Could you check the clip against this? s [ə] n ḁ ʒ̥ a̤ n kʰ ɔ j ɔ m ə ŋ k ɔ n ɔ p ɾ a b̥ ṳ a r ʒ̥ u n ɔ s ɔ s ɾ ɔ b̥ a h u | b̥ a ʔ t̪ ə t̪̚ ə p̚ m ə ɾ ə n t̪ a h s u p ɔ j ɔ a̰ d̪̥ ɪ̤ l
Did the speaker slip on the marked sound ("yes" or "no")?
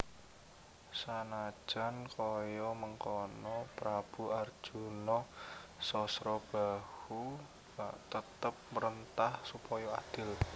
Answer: yes